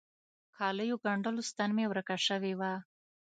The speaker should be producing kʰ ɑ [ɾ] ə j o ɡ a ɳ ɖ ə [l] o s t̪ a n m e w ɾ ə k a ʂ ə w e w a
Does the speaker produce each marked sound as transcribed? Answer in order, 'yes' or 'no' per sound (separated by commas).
no, yes